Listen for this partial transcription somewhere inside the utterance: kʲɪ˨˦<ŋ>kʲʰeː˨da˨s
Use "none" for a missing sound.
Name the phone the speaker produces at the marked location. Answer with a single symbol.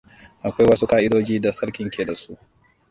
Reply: ŋ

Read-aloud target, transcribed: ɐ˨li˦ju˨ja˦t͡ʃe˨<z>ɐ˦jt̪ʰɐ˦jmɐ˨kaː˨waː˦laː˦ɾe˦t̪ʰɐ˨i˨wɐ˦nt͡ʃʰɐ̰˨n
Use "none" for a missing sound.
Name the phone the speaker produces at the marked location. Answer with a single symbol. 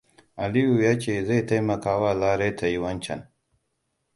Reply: z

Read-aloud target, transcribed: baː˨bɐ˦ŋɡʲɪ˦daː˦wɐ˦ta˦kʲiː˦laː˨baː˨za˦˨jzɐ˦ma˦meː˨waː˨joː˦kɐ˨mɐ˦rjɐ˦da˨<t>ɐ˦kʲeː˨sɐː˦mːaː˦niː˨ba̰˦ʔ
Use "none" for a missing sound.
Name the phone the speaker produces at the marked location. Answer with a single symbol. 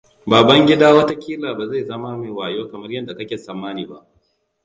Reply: k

